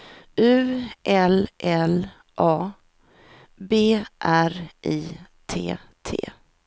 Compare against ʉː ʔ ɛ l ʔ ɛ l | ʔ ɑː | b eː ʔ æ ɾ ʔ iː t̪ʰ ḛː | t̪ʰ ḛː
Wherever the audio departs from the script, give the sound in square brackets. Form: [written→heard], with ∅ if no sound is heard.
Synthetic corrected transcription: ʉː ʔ ɛ l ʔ ɛ l | ʔ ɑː | b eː ʔ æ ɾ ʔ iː t̪ʰ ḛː | t̪ʰ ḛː